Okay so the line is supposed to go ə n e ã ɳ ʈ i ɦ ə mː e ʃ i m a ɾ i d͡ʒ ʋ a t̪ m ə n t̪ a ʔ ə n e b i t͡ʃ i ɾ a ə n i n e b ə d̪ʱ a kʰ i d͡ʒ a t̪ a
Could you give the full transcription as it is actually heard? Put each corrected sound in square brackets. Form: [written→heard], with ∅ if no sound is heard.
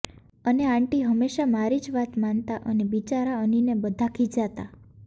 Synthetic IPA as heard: ə n e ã ɳ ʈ i ɦ ə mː e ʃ [i→a] m a ɾ i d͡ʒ ʋ a t̪ m [ə→a] n t̪ a ʔ ə n e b i t͡ʃ [i→a] ɾ a ə n i n e b ə d̪ʱ a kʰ i d͡ʒ a t̪ a